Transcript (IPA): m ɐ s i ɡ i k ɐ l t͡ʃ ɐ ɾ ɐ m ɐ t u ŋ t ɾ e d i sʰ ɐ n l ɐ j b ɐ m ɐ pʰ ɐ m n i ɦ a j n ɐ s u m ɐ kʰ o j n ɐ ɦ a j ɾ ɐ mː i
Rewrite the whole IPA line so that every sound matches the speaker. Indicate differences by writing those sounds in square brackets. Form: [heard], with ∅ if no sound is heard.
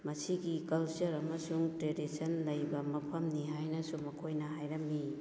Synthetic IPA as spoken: m ɐ s i ɡ i k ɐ l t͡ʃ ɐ ɾ ɐ m ɐ [s] u ŋ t ɾ e d i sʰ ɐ n l ɐ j b ɐ m ɐ pʰ ɐ m n i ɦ a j n ɐ s u m ɐ kʰ o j n ɐ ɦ a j ɾ ɐ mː i